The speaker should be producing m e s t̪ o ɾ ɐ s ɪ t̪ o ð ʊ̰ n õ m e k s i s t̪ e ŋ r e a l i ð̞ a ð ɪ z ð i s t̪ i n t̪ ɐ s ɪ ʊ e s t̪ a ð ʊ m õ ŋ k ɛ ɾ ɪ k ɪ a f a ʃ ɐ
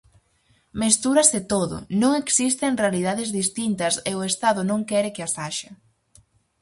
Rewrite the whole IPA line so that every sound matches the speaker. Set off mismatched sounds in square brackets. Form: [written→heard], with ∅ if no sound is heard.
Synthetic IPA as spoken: m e s t̪ [o→u] ɾ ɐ s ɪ t̪ o ð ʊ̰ n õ [m→ŋ] e k s i s t̪ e ŋ r e a l i ð̞ a ð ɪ z ð i s t̪ i n t̪ ɐ s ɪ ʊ e s t̪ a ð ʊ [m→n] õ ŋ k ɛ ɾ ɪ k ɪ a [f→s] a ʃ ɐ